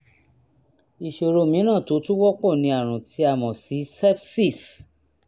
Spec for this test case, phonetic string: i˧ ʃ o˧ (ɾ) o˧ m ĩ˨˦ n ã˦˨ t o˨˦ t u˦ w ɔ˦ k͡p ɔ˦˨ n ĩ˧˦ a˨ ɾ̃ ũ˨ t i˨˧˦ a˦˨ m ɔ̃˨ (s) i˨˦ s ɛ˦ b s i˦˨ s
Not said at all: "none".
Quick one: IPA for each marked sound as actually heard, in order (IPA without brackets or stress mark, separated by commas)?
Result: ɾ, s